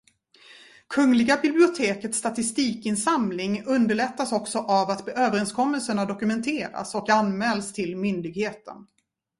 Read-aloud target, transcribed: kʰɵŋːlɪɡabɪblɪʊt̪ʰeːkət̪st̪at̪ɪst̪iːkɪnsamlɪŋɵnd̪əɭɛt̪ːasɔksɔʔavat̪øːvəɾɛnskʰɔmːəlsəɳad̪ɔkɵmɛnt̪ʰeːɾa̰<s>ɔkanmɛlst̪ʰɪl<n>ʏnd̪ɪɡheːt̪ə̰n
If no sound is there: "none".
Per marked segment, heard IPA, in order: s, m

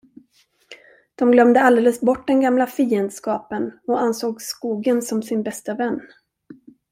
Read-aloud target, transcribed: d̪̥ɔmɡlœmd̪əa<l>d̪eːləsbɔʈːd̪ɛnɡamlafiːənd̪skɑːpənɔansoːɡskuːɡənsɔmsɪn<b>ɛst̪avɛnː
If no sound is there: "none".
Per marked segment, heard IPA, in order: l, b

